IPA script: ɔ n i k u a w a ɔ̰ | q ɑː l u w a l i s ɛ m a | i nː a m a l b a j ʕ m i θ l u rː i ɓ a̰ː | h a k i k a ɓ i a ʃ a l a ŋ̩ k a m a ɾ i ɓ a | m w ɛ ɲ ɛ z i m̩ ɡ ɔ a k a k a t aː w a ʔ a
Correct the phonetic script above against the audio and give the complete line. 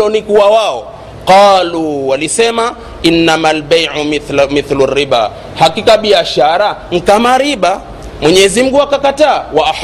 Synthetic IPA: ɔ n i k u a w a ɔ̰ | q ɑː l u w a l i s ɛ m a | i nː a m a l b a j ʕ m i θ l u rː i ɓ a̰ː | h a k i k a ɓ i a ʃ a ɾ a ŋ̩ k a m a ɾ i ɓ a | m w ɛ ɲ ɛ z i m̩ ɡ u a k a k a t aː w a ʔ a